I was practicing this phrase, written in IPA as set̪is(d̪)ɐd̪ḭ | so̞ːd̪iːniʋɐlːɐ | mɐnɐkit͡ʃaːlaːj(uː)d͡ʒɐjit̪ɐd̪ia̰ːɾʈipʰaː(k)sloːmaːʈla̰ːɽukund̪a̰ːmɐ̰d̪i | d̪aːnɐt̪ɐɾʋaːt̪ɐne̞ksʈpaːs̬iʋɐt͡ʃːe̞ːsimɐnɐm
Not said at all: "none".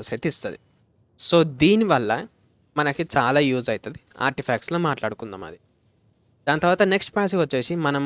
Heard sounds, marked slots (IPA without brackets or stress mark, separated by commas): t̪, uː, k